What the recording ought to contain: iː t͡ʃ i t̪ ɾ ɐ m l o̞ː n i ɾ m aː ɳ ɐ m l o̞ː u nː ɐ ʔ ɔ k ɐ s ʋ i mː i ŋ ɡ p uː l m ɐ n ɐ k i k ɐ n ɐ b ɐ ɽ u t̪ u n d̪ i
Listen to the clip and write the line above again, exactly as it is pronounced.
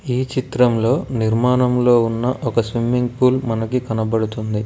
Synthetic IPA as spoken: iː t͡ʃ i t̪ ɾ ɐ m l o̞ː n i ɾ m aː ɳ ɐ m l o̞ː u nː ɐ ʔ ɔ k ɐ s ʋ i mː i ŋ ɡ p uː l m ɐ n ɐ k i k ɐ n ɐ b ɐ ɽ u t̪ u n d̪ i